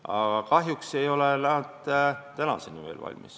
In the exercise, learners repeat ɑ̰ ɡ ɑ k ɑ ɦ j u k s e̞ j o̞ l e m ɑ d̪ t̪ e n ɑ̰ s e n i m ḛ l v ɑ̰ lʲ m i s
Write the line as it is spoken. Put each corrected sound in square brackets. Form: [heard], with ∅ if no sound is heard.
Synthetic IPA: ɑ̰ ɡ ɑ k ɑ ɦ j u k s e̞ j o̞ l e [n] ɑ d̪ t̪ [æ] n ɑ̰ s e n i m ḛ l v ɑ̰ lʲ m i s